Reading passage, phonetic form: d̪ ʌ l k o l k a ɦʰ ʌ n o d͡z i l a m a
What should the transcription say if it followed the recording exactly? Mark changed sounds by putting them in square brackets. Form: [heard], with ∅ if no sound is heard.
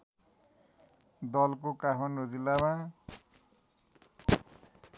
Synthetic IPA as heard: d̪ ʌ l k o [∅] k a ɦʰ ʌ n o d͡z i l a m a